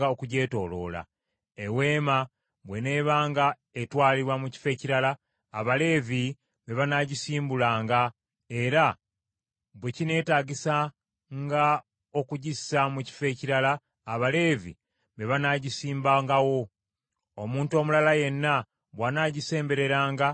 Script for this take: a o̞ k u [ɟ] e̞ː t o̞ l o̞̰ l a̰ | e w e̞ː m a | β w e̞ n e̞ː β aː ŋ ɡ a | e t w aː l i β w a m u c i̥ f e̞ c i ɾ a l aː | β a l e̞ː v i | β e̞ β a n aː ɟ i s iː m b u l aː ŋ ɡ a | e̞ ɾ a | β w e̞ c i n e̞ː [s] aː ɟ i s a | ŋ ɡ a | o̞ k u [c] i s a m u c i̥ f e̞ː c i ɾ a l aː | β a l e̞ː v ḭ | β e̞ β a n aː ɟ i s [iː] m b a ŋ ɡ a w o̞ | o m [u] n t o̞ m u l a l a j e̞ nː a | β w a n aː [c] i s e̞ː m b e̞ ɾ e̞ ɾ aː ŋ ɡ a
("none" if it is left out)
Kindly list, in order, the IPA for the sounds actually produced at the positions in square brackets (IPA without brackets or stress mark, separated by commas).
ɟ, t, ɟ, iː, uː, ɟ